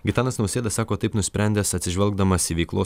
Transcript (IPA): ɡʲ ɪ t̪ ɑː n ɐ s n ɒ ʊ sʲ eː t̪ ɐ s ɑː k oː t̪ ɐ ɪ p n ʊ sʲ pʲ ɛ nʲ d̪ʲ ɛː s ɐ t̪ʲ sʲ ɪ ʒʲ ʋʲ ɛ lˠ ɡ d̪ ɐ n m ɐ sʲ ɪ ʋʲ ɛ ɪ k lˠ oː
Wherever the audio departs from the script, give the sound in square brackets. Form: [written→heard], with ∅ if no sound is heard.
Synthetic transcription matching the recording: ɡʲ ɪ t̪ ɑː n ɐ s n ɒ ʊ sʲ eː [t̪→d̪] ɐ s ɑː k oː t̪ ɐ ɪ p n ʊ sʲ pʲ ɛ nʲ d̪ʲ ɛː s ɐ t̪ʲ sʲ ɪ ʒʲ ʋʲ ɛ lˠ ɡ d̪ ɐ [n→∅] m ɐ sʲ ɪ ʋʲ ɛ ɪ k lˠ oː

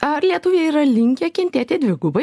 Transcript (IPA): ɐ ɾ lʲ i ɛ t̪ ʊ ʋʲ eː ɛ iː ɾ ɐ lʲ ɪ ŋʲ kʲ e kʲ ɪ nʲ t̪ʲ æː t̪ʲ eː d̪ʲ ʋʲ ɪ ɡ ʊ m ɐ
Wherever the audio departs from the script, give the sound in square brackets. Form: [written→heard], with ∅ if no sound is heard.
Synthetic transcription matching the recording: ɐ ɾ lʲ i ɛ t̪ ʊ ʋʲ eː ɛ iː ɾ ɐ lʲ ɪ ŋʲ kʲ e kʲ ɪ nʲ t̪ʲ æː t̪ʲ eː d̪ʲ ʋʲ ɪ ɡ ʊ [m→b] ɐ

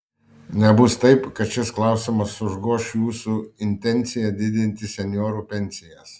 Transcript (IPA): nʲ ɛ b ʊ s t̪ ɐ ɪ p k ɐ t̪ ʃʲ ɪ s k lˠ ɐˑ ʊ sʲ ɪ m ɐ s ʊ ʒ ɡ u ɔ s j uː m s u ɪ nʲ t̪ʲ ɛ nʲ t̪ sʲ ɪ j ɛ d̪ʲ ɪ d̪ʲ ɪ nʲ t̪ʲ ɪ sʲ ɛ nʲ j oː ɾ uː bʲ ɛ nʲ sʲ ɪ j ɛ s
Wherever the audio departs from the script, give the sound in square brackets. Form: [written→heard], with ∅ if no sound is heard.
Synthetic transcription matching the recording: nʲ ɛ b ʊ s t̪ ɐ ɪ p k ɐ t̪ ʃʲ ɪ s k lˠ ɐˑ ʊ sʲ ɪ m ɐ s ʊ ʒ ɡ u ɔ [s→ʃ] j uː [m→∅] s u ɪ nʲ t̪ʲ ɛ nʲ t̪ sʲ ɪ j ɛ d̪ʲ ɪ d̪ʲ ɪ nʲ t̪ʲ ɪ sʲ ɛ nʲ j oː ɾ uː [bʲ→pʲ] ɛ nʲ sʲ ɪ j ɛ s

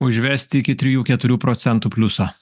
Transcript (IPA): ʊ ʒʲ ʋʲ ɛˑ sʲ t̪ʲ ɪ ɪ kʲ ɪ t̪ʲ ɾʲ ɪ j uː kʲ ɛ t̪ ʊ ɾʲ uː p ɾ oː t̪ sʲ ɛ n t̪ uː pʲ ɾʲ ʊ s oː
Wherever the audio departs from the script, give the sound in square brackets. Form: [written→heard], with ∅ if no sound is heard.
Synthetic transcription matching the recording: ʊ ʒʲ ʋʲ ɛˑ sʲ t̪ʲ ɪ ɪ kʲ ɪ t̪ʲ ɾʲ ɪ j uː kʲ ɛ t̪ ʊ ɾʲ uː p ɾ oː t̪ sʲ ɛ n t̪ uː pʲ [ɾʲ→lʲ] ʊ s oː

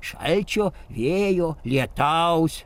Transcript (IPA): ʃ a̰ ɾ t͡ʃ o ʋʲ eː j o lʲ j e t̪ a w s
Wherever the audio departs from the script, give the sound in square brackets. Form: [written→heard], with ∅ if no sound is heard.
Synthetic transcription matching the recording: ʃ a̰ [ɾ→l] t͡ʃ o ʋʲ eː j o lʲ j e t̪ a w s

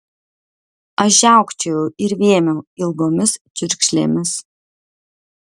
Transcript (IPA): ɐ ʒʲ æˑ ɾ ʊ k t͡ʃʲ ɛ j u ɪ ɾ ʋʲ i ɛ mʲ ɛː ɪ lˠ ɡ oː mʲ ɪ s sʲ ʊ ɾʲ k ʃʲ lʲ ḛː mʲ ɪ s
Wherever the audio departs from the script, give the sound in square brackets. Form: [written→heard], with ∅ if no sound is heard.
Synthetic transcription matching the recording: ɐ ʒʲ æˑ [ɾ→∅] ʊ k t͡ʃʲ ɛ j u ɪ ɾ ʋʲ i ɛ mʲ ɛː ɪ lˠ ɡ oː mʲ ɪ s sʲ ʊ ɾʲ k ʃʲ lʲ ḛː mʲ ɪ s

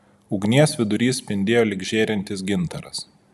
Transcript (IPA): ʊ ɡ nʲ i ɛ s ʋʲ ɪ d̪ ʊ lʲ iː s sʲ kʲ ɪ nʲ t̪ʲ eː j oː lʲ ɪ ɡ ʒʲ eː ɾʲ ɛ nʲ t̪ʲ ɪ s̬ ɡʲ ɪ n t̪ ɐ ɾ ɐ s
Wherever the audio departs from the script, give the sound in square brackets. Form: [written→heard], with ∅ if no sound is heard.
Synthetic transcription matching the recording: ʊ ɡ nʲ i ɛ s ʋʲ ɪ d̪ ʊ [lʲ→ɾʲ] iː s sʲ [kʲ→pʲ] ɪ nʲ [t̪ʲ→d̪ʲ] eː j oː lʲ ɪ ɡ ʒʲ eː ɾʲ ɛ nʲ t̪ʲ ɪ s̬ ɡʲ ɪ n t̪ ɐ ɾ ɐ s

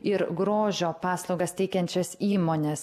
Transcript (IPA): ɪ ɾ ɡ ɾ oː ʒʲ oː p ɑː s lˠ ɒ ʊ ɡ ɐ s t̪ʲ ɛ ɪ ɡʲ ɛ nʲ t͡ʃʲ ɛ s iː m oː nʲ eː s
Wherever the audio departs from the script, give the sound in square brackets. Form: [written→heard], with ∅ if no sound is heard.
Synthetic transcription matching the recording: ɪ ɾ ɡ ɾ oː ʒʲ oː p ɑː s lˠ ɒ ʊ ɡ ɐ s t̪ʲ ɛ ɪ [ɡʲ→kʲ] ɛ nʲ t͡ʃʲ ɛ s iː m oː nʲ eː s

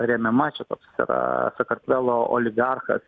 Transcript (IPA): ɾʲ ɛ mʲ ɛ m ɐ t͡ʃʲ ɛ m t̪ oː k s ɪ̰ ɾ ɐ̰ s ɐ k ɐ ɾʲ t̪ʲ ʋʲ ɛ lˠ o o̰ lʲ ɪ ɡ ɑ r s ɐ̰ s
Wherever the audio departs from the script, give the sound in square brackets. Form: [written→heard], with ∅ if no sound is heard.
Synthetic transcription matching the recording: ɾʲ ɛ mʲ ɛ m ɐ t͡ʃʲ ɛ [m→∅] t̪ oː k s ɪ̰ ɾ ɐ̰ s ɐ k ɐ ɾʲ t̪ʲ ʋʲ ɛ lˠ o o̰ lʲ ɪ ɡ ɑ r [s→x] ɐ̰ s

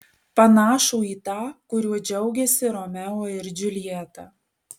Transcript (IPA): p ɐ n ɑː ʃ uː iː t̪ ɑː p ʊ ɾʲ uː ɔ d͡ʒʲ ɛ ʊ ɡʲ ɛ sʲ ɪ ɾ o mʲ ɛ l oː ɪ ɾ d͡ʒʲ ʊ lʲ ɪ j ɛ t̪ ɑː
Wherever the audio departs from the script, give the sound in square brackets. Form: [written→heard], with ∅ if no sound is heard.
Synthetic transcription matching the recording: p ɐ n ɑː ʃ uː iː t̪ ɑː [p→k] ʊ ɾʲ [uː→u] ɔ d͡ʒʲ ɛ ʊ ɡʲ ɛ sʲ ɪ ɾ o mʲ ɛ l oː ɪ ɾ d͡ʒʲ ʊ lʲ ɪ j ɛ t̪ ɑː

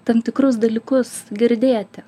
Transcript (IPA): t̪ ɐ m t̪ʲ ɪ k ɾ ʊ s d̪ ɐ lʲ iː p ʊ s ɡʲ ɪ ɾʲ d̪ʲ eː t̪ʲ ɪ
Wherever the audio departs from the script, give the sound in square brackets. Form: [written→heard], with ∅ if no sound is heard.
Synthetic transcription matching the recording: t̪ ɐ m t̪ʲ ɪ k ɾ ʊ s d̪ ɐ lʲ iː [p→k] ʊ s ɡʲ ɪ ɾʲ d̪ʲ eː t̪ʲ ɪ

